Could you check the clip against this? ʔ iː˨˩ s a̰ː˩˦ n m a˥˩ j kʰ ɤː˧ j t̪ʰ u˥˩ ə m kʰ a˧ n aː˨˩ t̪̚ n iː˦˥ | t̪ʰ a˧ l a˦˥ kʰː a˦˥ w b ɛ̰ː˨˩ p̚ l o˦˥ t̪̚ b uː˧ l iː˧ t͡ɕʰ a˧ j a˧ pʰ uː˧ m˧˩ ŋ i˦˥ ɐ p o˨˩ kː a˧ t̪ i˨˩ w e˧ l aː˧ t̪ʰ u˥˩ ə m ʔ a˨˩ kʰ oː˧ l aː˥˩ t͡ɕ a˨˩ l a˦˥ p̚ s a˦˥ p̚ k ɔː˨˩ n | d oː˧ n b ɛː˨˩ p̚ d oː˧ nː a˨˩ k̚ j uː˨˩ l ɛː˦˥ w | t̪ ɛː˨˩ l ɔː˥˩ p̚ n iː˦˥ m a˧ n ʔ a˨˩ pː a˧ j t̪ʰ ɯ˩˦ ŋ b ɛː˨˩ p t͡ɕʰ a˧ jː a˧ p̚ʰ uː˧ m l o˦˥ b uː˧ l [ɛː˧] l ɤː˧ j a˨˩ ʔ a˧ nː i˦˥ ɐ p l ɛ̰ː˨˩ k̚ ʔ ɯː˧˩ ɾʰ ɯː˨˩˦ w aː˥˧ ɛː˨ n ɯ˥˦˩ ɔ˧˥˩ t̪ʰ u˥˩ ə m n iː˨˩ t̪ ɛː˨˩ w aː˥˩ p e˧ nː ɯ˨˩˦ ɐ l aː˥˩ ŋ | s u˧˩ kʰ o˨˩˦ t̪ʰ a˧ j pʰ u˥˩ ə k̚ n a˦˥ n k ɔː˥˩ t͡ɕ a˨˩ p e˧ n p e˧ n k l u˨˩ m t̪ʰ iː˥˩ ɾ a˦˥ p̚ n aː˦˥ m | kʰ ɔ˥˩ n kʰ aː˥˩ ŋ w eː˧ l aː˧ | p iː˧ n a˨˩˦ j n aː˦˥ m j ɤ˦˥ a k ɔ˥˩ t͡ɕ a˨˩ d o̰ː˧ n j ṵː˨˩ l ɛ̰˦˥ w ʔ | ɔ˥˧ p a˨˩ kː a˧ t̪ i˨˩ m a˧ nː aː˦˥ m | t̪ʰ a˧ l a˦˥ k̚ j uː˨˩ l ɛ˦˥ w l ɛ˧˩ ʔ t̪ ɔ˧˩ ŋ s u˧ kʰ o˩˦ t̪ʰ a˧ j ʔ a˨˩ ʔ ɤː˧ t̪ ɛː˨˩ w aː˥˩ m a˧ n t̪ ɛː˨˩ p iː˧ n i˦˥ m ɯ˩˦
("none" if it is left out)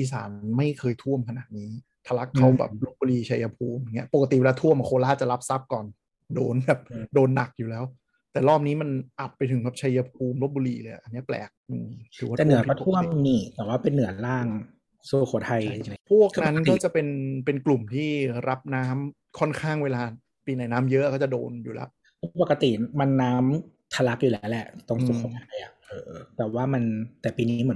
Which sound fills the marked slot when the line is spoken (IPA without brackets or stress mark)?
iː˧